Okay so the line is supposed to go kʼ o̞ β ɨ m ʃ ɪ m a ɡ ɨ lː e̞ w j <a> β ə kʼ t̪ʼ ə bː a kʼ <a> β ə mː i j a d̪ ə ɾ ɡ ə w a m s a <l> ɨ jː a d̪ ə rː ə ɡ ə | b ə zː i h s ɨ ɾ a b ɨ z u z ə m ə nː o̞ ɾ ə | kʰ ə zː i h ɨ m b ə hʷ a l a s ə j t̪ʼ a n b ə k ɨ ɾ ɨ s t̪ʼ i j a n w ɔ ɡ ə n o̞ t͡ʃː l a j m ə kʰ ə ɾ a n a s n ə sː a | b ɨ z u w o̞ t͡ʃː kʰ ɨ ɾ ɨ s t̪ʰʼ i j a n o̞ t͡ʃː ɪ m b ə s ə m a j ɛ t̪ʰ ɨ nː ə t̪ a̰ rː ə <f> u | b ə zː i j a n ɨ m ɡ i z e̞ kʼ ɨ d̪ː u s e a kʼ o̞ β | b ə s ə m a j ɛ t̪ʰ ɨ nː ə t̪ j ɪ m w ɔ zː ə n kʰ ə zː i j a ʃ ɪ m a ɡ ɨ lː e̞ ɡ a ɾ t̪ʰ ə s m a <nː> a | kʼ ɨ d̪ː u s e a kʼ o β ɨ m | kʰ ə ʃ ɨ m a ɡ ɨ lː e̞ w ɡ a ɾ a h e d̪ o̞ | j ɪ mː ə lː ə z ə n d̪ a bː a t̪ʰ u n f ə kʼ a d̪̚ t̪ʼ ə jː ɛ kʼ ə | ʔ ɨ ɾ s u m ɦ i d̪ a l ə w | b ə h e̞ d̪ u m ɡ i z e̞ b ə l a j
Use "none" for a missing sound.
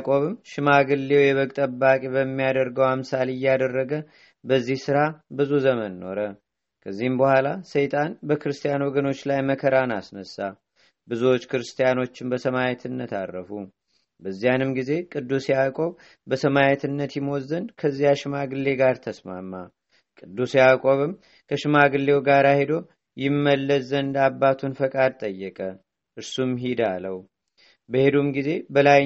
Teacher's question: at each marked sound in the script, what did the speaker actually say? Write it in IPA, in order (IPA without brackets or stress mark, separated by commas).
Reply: ɛ, e, l, f, mː